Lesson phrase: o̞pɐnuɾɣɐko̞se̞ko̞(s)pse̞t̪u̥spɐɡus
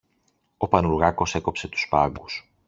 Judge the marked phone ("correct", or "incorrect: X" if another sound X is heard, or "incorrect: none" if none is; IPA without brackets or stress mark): incorrect: none